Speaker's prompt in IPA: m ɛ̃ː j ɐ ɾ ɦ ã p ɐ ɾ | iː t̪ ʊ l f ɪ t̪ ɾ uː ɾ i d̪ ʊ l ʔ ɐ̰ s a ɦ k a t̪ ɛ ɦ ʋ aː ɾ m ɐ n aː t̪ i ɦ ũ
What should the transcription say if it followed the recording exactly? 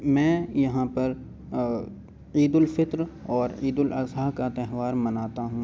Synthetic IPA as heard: m ɛ̃ː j ɐ ɦ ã p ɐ ɾ | iː d̪ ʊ l f ɪ t̪ ɾ ɔː ɾ iː d̪ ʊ l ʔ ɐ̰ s a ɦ k a t̪ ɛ ɦ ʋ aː ɾ m ɐ n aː t̪ a ɦ ũ